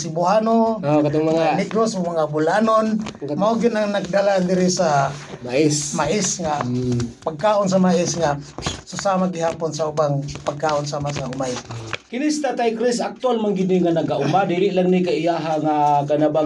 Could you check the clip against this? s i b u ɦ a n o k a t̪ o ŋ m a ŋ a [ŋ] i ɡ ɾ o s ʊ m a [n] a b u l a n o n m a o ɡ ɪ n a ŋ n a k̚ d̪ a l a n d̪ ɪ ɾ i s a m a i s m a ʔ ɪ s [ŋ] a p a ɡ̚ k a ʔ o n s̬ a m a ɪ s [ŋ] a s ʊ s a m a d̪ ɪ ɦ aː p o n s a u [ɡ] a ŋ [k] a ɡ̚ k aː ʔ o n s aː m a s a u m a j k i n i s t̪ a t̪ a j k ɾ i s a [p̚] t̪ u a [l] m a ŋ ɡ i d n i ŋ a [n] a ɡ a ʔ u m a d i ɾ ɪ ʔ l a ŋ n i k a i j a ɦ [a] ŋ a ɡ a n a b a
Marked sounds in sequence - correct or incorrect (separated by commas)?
incorrect, incorrect, correct, correct, incorrect, incorrect, incorrect, correct, correct, correct